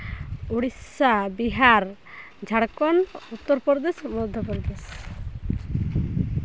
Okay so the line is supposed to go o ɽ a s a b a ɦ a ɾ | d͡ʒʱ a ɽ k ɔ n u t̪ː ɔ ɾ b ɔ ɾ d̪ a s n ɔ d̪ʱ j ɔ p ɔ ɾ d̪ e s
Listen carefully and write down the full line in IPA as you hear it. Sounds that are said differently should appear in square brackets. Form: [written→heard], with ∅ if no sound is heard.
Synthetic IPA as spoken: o ɽ [a→i] s a b [a→i] ɦ a ɾ | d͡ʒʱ a ɽ k ɔ n u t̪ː ɔ ɾ [b→p] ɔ ɾ d̪ [a→e] s [n→m] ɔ d̪ʱ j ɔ p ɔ ɾ d̪ e s